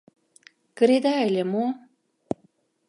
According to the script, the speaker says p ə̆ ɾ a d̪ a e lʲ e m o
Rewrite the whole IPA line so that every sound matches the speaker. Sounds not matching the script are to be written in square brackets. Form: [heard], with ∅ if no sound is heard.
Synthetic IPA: [k] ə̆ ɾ [e] d̪ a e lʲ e m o